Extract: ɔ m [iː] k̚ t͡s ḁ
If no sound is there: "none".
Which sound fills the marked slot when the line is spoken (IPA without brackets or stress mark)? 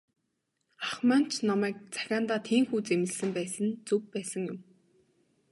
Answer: æː